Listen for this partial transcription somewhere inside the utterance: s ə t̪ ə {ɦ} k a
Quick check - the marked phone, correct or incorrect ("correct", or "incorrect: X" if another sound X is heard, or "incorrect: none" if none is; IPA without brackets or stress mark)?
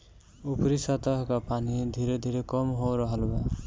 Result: correct